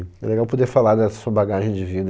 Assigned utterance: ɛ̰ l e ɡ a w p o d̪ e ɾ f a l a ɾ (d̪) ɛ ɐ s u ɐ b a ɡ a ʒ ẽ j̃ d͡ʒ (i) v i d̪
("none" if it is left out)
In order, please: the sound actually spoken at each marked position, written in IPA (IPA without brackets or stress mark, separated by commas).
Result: d̪, ɪ